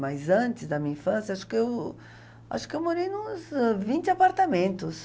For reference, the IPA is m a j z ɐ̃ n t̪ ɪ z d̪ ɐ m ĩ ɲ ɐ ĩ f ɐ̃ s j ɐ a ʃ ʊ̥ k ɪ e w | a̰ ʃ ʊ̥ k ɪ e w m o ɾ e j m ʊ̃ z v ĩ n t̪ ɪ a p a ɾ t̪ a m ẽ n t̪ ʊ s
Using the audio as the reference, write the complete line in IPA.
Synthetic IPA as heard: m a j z ɐ̃ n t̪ ɪ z d̪ ɐ m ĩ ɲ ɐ ĩ f ɐ̃ s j ɐ a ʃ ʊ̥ k ɪ e w | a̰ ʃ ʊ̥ k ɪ e w m o ɾ e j n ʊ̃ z v ĩ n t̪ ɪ a p a ɾ t̪ a m ẽ n t̪ ʊ s